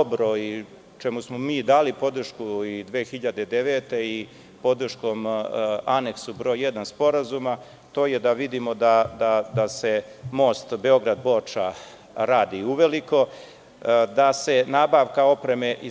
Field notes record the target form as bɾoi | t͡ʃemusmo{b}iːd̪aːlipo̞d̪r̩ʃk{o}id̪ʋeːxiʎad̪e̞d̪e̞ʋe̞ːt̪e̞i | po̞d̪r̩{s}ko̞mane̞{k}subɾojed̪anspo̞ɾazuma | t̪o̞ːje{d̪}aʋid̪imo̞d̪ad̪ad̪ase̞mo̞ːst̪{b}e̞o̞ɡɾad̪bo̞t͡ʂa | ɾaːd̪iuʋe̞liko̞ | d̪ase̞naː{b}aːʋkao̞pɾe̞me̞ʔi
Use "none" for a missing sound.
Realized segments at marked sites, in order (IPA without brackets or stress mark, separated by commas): m, u, ʃ, k, d̪, b, b